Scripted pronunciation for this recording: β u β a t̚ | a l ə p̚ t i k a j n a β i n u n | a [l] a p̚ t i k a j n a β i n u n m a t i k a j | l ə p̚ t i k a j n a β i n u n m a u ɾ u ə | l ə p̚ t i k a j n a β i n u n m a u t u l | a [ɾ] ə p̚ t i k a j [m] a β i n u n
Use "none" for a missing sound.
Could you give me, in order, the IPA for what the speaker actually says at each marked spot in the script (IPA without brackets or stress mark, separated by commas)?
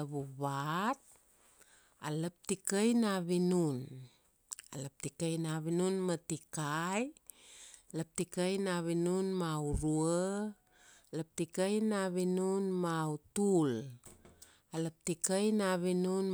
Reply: l, l, n